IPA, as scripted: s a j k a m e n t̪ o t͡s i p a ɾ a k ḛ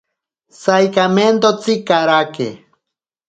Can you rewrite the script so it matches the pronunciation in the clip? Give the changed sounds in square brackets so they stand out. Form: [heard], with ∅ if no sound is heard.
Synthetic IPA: s a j k a m e n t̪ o t͡s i [k] a ɾ a k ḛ

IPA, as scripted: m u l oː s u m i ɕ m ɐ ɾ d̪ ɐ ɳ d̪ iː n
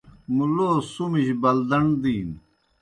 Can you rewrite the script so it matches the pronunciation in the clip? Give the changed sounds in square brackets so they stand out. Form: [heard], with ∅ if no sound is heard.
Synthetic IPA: m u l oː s u m i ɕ [b] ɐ [l] d̪ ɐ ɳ d̪ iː n

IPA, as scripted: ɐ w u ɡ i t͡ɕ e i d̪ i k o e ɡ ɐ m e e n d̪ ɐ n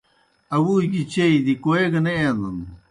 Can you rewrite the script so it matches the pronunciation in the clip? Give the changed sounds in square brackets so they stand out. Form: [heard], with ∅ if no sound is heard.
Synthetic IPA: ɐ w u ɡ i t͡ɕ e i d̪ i k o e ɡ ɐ [n] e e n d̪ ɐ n

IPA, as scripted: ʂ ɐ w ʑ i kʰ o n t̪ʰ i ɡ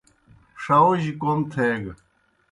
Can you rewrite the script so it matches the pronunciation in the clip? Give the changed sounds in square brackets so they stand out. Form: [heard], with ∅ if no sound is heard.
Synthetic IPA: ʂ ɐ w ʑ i [k] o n t̪ʰ [e] ɡ

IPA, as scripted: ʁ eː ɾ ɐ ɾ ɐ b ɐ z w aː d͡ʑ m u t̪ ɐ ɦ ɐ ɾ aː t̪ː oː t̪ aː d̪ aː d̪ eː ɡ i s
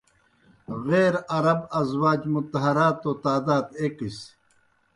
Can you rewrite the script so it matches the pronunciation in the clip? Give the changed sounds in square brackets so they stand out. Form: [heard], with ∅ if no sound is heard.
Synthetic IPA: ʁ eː ɾ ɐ ɾ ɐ b ɐ z w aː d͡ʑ m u t̪ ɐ ɦ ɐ ɾ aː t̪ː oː t̪ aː d̪ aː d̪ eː [k] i s

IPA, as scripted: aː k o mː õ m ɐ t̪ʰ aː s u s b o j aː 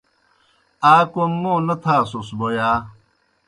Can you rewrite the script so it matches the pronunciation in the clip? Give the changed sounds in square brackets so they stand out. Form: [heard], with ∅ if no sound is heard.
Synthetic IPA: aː k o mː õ [n] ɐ t̪ʰ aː s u s b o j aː

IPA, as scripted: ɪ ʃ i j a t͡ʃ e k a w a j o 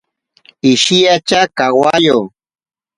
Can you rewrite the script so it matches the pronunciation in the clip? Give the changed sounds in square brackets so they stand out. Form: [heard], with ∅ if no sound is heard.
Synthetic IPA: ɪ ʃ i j a t͡ʃ [a] k a w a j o

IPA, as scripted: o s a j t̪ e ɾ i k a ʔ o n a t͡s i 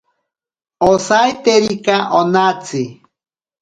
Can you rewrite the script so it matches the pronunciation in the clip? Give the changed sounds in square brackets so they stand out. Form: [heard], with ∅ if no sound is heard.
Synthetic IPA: o s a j t̪ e ɾ i k a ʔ o n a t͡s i

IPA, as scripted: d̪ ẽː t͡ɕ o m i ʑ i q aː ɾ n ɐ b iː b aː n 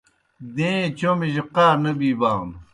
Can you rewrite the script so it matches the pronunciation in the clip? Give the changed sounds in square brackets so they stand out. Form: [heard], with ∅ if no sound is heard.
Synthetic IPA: d̪ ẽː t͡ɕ o m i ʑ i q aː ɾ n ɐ b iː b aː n

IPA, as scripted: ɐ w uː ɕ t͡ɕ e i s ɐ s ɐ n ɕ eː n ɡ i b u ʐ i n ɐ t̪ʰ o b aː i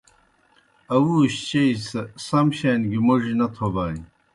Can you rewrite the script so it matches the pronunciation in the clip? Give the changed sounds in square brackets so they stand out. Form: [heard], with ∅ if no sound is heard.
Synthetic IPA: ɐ w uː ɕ t͡ɕ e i s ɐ s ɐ [m] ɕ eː n ɡ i [m] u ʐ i n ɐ t̪ʰ o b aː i

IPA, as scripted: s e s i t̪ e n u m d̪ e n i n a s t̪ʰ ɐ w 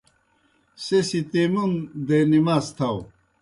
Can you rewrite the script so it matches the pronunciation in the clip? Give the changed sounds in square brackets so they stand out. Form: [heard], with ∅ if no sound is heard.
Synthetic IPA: s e s i t̪ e [m] u [n] d̪ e n i [m] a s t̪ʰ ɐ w

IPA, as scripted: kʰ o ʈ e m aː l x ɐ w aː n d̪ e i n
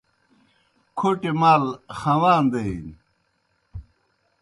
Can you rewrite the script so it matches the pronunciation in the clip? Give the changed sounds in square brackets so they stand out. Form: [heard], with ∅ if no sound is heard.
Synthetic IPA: kʰ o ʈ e m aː l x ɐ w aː n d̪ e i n

